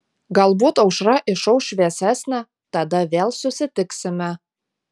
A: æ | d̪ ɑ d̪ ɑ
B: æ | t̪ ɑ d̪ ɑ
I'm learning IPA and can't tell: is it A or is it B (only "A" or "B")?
B